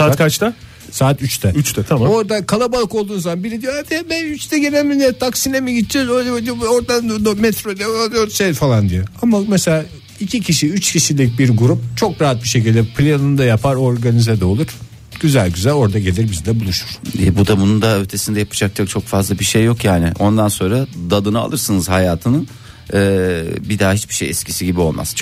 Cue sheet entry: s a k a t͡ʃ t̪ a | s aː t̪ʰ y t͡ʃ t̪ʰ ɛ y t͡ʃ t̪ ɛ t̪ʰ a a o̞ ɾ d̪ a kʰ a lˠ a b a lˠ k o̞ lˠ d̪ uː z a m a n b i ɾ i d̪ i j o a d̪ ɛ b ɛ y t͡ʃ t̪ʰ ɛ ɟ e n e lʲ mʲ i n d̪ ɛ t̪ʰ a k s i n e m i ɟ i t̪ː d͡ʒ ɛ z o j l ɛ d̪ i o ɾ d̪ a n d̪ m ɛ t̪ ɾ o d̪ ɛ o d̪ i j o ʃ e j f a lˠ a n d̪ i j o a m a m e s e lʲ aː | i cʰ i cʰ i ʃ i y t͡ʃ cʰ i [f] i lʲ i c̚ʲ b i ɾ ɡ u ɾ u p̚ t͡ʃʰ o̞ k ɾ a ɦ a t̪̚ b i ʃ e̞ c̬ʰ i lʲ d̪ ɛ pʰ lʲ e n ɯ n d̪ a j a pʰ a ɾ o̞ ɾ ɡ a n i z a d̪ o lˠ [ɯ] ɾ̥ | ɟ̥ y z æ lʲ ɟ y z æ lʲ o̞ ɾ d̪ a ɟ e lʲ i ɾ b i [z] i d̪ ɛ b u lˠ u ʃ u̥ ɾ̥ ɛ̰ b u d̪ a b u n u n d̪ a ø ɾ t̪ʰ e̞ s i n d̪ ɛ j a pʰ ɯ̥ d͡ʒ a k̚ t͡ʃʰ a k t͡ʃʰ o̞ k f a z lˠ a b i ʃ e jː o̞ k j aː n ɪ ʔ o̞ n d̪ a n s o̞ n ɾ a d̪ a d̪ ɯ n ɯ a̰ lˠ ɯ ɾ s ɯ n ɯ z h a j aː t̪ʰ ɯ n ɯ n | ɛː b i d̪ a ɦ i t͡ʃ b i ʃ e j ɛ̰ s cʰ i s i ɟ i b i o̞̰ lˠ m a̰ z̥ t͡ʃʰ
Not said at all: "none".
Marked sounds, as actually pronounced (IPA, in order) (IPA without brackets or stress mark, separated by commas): ʃ, u, z